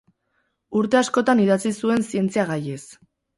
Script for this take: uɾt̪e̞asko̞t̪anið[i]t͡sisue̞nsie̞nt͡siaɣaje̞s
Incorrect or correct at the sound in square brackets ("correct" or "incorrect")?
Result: incorrect